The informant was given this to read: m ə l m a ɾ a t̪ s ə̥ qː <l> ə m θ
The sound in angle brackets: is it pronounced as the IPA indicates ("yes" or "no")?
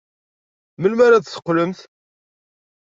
yes